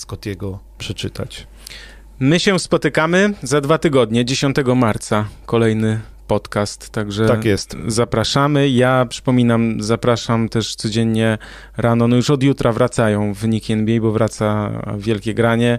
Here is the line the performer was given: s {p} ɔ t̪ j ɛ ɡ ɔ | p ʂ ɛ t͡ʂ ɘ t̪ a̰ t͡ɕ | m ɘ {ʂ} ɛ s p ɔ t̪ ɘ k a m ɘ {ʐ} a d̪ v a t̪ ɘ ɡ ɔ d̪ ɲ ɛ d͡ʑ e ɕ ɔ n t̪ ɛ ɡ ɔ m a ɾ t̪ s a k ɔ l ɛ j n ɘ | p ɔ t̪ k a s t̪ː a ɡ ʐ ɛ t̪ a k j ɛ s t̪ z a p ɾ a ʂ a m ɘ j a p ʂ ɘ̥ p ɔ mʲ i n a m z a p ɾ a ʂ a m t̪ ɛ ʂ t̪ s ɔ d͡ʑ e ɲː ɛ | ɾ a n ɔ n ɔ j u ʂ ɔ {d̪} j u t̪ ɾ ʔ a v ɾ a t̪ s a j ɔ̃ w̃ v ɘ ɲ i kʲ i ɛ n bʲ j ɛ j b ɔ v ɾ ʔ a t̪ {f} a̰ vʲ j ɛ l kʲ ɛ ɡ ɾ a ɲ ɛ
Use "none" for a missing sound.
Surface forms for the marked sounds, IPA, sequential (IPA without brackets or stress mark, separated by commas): k, ɕ, z, d̪, s